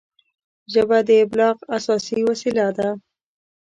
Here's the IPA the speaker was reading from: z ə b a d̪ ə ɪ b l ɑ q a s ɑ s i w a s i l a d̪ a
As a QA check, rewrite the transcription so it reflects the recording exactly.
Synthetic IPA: ʒ ə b a d̪ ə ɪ b l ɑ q a s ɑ s i w a s i l a d̪ a